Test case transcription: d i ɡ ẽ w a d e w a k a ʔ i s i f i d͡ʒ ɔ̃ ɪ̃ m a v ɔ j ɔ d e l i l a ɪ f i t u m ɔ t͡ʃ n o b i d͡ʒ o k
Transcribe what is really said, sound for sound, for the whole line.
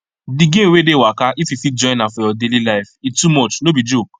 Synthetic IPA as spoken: d i ɡ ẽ w e d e w a k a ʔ i f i f i d͡ʒ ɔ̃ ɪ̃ n a f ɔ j ɔ d e l i l a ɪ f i t u m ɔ t͡ʃ n o b i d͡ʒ o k